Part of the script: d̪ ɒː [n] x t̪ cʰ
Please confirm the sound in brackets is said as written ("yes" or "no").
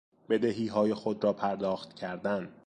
no